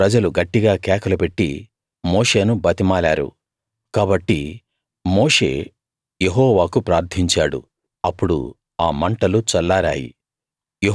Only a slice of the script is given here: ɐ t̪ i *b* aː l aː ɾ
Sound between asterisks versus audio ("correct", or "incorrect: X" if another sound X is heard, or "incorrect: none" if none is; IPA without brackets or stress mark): incorrect: m